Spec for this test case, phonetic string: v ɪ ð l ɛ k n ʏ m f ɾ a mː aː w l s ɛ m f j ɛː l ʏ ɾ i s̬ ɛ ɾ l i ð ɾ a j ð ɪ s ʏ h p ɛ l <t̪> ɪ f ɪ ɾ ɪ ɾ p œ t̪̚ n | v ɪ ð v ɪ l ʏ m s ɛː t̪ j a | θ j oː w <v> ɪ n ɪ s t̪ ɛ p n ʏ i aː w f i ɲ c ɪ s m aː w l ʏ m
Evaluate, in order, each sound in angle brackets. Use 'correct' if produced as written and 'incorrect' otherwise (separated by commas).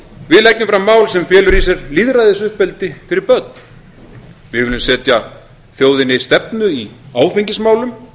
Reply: correct, incorrect